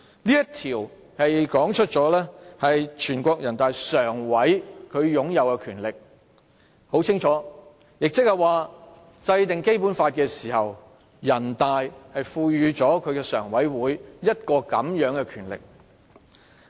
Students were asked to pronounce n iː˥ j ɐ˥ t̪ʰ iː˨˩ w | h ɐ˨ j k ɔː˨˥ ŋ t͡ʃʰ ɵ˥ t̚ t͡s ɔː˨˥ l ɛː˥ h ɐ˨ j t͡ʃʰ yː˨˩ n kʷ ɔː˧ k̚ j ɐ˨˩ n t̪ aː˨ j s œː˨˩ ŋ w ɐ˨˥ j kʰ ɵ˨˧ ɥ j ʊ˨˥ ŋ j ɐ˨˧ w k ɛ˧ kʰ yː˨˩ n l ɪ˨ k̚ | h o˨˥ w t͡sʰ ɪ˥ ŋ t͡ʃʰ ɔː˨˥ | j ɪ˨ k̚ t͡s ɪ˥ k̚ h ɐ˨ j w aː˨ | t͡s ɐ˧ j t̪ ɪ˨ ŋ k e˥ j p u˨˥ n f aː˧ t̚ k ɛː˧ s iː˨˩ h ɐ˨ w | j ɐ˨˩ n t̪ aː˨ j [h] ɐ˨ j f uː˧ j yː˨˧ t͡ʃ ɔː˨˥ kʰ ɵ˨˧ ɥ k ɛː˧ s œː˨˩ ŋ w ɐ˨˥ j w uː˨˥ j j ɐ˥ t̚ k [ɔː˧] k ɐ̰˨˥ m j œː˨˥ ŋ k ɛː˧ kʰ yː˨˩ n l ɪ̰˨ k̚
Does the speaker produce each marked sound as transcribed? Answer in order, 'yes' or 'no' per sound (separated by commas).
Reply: yes, yes